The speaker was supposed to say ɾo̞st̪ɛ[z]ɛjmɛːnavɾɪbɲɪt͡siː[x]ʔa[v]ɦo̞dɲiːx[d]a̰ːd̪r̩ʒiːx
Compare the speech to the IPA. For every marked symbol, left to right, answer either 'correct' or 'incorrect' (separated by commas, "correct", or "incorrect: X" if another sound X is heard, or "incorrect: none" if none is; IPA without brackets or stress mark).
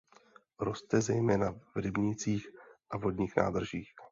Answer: correct, correct, correct, incorrect: n